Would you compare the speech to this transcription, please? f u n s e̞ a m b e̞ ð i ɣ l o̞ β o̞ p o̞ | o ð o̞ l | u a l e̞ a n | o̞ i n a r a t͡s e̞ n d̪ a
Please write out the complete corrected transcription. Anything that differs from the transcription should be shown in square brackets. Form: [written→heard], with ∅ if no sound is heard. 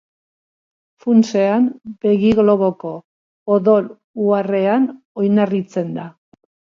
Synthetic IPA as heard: f u n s e̞ a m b e̞ [ð→ɣ] i ɣ l o̞ β o̞ [p→k] o̞ | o ð o̞ l | u a [l→r] e̞ a n | o̞ [i→j] n a r [a→i] t͡s e̞ n d̪ a